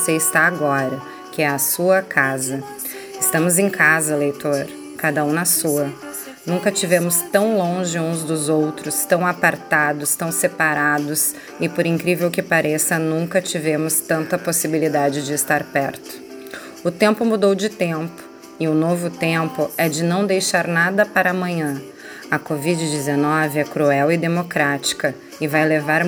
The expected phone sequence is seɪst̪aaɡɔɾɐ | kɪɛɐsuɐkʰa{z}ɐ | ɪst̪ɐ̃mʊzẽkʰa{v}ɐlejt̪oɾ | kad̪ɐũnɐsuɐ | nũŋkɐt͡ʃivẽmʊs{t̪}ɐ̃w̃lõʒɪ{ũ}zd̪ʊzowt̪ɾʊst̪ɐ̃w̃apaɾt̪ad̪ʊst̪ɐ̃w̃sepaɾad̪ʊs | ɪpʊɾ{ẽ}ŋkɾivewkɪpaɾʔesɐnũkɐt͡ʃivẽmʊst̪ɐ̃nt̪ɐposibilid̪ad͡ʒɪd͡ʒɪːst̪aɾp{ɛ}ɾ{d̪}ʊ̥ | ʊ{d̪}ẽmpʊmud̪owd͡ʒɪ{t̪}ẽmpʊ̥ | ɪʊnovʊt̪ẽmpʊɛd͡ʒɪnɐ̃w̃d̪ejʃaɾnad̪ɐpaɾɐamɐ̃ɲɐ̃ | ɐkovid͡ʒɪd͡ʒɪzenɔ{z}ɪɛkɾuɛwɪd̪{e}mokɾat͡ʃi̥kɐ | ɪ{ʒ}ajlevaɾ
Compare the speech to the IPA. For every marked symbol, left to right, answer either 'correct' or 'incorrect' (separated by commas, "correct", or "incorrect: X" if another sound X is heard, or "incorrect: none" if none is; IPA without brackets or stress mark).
correct, incorrect: z, correct, correct, incorrect: ĩ, correct, incorrect: t̪, incorrect: t̪, correct, incorrect: v, correct, incorrect: v